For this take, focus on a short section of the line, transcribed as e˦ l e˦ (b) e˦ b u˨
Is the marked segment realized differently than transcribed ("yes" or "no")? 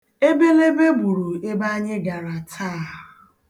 no